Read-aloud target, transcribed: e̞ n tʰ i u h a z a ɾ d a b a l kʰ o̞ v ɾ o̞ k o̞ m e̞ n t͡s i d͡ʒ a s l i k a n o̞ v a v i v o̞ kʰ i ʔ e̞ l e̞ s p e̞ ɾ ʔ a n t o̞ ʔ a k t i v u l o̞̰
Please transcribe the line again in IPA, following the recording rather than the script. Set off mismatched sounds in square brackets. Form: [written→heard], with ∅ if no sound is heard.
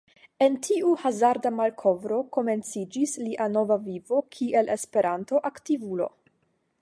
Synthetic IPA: e̞ n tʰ i u h a z a ɾ d a [b→m] a l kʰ o̞ v ɾ o̞ k o̞ m e̞ n t͡s i d͡ʒ [a→i] s l i [k→ʔ] a n o̞ v a v i v o̞ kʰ i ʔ e̞ l e̞ s p e̞ ɾ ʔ a n t o̞ ʔ a k t i v u l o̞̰